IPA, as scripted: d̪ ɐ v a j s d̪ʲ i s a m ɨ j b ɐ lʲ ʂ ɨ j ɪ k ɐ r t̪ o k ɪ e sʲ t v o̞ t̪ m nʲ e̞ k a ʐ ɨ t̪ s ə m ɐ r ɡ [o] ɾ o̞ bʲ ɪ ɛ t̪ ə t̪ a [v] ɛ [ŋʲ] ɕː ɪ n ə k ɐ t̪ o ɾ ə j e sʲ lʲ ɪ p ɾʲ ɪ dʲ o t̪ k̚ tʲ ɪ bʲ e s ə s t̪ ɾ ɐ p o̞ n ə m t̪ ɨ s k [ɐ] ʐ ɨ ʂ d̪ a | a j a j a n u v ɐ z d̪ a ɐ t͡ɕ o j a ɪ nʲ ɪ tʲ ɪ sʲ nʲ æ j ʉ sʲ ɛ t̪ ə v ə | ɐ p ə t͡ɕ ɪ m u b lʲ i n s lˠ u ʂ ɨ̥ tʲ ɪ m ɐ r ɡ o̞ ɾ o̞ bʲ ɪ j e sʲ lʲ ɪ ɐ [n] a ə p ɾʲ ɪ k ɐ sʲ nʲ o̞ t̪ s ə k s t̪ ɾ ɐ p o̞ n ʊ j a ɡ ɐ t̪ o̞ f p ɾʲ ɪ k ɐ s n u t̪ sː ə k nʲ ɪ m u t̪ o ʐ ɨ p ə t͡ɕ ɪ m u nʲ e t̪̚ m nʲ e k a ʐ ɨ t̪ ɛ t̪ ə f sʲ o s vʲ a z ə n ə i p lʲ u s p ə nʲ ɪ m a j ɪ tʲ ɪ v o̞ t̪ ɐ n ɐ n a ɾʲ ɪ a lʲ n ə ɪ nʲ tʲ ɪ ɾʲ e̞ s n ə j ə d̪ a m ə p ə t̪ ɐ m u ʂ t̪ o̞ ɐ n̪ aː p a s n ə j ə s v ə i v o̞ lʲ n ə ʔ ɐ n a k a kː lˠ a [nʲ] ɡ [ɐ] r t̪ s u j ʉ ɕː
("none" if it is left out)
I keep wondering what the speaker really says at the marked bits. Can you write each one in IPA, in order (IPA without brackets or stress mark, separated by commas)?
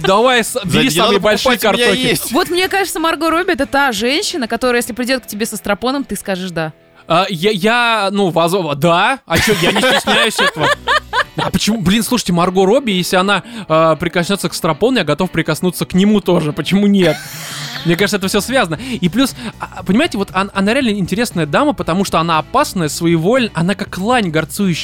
o, ʐ, nʲ, a, n, nʲ, ɐ